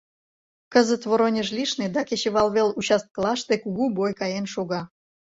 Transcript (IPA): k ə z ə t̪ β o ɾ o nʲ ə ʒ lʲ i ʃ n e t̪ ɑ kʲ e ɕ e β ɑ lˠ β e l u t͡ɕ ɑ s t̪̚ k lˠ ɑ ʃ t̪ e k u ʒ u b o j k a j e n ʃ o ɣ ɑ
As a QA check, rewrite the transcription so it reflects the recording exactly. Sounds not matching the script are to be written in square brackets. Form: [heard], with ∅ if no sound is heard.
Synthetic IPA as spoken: k ə z ə t̪ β o ɾ o nʲ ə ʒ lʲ i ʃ n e [d̪] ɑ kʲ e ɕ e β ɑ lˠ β e l u t͡ɕ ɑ s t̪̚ k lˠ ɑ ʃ t̪ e k u [ɣ] u b o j k [ɑ] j e n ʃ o ɣ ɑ